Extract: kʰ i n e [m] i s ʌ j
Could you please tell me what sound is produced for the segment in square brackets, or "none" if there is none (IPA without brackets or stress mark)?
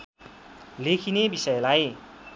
b